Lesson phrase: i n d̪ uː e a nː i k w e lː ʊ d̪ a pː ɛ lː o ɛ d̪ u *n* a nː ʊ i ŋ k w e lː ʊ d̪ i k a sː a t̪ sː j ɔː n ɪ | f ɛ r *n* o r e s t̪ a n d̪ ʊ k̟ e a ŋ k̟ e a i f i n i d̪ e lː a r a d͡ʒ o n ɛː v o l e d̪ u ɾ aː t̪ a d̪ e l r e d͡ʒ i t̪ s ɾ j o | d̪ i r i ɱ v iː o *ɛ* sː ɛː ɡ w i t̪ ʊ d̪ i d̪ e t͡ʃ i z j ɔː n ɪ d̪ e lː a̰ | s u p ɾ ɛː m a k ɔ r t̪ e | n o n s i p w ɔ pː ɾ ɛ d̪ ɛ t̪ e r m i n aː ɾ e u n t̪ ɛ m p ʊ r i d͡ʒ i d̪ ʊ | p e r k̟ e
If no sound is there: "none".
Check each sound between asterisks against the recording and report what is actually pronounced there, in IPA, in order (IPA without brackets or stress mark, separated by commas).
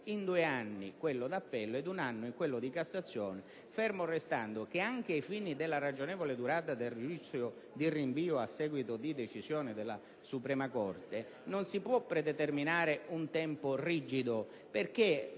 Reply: n, m, a